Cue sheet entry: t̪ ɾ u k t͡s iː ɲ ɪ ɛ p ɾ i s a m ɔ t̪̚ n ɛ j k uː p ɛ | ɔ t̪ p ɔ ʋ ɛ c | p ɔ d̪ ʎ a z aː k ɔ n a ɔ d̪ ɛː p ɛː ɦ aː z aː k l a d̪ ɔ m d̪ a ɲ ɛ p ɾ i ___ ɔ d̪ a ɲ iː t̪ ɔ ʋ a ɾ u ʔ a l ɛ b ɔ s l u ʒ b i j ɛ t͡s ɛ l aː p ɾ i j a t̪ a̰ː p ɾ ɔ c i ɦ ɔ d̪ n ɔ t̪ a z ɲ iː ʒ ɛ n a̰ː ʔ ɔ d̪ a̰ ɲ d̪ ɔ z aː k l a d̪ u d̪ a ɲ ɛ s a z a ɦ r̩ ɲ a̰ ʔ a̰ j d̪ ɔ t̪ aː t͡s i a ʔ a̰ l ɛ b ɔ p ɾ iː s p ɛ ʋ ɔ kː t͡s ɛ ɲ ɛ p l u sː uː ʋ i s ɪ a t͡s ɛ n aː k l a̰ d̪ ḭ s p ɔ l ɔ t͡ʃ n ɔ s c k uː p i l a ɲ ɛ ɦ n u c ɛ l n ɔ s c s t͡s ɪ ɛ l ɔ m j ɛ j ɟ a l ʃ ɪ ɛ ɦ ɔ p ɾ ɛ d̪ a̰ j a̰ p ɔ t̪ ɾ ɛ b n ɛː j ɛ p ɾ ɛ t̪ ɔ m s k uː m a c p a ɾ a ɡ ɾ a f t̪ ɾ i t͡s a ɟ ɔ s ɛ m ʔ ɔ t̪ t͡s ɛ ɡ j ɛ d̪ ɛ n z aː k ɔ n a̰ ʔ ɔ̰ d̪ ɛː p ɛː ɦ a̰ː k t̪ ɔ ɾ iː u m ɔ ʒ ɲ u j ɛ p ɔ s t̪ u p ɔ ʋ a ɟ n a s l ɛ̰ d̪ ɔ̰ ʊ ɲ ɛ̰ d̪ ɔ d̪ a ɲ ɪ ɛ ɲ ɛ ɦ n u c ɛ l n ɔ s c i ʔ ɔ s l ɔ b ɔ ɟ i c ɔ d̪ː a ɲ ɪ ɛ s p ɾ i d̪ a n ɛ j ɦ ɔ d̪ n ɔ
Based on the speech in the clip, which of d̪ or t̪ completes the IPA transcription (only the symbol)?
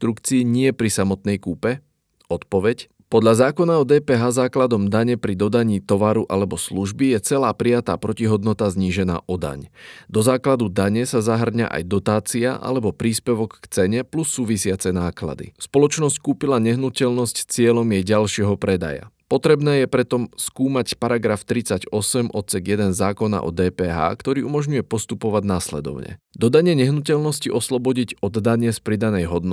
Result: d̪